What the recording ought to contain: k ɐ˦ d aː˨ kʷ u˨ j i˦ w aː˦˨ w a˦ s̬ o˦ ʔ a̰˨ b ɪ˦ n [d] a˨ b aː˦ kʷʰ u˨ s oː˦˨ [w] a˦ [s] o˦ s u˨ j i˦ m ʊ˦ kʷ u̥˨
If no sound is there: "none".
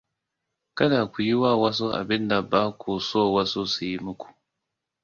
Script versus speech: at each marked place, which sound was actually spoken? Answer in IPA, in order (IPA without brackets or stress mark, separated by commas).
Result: d, w, s